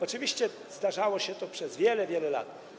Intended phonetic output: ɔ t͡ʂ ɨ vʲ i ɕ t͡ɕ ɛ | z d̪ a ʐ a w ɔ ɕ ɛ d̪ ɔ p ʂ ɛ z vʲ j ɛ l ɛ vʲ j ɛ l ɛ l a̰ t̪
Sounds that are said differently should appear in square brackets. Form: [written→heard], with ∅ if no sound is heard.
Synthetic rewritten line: ɔ t͡ʂ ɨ vʲ i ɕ t͡ɕ ɛ | z d̪ a ʐ a w ɔ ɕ ɛ [d̪→t̪] ɔ p ʂ ɛ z vʲ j ɛ l ɛ vʲ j ɛ l ɛ l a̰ t̪